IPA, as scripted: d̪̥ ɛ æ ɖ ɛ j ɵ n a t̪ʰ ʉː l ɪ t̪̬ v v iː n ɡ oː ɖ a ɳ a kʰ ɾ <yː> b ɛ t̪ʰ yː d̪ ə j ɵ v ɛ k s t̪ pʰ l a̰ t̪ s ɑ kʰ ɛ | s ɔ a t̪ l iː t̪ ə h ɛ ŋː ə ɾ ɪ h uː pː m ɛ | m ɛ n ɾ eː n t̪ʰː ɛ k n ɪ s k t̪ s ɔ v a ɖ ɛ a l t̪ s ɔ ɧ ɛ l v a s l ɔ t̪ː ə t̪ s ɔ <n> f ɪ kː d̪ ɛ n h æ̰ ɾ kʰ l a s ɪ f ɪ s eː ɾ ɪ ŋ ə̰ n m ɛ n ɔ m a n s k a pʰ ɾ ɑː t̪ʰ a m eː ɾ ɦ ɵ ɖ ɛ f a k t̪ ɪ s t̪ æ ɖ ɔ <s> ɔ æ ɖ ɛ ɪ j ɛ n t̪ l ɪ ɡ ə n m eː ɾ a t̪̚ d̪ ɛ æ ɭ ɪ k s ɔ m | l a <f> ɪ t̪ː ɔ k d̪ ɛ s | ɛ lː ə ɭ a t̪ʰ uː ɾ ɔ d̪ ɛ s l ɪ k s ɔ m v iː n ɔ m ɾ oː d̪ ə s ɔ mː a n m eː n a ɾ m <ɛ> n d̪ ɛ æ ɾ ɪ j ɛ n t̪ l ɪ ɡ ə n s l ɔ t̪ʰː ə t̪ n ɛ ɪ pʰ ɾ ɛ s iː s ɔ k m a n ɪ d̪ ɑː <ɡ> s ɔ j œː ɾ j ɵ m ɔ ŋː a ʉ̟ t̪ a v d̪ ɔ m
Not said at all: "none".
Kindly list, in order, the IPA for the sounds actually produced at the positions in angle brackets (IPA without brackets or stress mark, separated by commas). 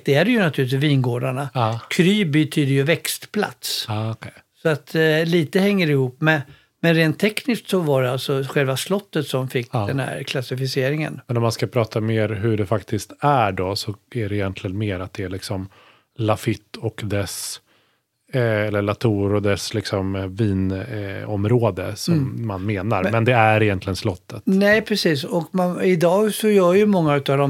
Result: yː, m, s, f, ɛ, ɡ